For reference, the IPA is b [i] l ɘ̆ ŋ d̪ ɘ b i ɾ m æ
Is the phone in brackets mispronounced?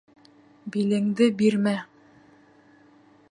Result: no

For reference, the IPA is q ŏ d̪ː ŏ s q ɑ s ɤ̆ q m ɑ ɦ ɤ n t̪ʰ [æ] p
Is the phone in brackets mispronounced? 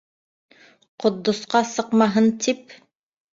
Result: yes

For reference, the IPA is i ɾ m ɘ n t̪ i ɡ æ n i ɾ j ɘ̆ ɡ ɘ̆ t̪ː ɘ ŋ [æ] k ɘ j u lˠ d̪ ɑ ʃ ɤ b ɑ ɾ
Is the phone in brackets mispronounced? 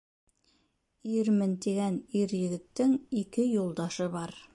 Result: yes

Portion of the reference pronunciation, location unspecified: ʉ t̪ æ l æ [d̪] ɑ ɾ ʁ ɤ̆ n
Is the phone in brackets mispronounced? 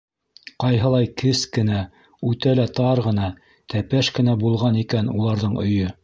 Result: yes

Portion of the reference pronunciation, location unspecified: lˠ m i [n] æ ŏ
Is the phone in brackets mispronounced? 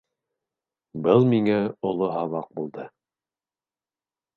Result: yes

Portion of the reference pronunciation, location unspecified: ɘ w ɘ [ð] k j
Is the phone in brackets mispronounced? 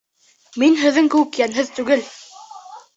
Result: yes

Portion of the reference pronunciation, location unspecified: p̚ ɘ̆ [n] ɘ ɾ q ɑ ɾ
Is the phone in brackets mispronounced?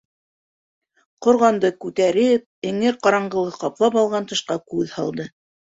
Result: yes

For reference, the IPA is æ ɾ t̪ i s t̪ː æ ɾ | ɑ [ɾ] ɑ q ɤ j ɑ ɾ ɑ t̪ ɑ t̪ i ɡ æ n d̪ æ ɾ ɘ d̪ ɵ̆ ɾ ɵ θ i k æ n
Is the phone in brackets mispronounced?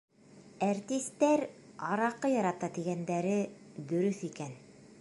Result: no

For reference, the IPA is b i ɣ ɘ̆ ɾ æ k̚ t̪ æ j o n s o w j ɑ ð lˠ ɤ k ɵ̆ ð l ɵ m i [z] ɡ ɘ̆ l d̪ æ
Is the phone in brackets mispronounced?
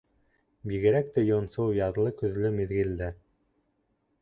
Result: yes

